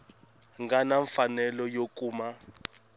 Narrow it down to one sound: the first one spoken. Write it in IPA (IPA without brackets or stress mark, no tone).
ŋ